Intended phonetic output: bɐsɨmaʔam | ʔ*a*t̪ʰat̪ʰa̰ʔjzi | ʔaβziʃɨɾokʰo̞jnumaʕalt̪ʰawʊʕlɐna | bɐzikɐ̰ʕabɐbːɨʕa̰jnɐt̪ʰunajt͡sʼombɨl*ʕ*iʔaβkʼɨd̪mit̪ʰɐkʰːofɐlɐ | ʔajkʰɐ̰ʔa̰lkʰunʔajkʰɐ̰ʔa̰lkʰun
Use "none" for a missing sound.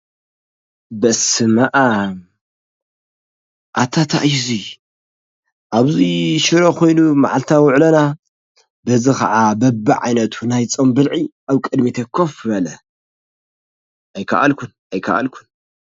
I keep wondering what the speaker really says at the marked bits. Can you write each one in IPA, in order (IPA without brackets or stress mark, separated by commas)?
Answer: a, ʕ